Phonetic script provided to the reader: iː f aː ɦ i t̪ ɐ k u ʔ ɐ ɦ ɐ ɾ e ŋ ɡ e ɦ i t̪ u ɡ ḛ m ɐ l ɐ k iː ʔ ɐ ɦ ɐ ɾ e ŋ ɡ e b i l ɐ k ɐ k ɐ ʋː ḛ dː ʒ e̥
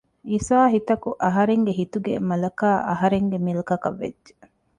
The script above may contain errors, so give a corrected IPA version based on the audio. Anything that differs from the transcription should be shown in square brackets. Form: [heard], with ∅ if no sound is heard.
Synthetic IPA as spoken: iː [s] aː ɦ i t̪ ɐ k u ʔ ɐ ɦ ɐ ɾ e ŋ ɡ e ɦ i t̪ u ɡ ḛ m ɐ l ɐ k [aː] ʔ ɐ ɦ ɐ ɾ e ŋ ɡ e [m] i l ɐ k ɐ k ɐ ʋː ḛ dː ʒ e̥